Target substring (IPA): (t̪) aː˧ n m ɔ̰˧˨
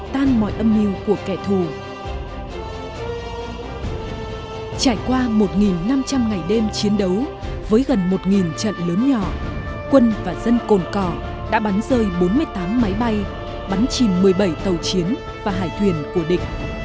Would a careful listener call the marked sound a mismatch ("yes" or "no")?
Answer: no